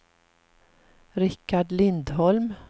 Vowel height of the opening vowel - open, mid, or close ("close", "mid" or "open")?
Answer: close